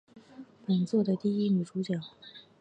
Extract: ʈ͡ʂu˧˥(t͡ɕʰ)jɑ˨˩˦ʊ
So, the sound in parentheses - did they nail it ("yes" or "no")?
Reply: no